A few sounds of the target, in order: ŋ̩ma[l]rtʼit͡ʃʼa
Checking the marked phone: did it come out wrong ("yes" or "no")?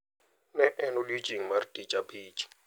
yes